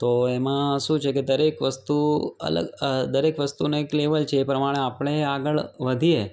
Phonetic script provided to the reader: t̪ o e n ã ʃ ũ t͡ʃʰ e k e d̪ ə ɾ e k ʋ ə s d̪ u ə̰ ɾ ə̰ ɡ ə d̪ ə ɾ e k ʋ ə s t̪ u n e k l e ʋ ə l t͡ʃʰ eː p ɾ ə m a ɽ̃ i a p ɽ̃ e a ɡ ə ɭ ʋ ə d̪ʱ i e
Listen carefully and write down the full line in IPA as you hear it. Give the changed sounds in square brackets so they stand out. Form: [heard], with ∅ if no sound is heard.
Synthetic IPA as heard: t̪ o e [m] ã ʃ ũ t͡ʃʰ e k e d̪ ə ɾ e k ʋ ə s [t̪] u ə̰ [l] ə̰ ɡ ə d̪ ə ɾ e k ʋ ə s t̪ u n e k l e ʋ ə l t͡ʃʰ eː p ɾ ə m a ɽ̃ [e] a p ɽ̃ e a ɡ ə ɭ ʋ ə d̪ʱ i e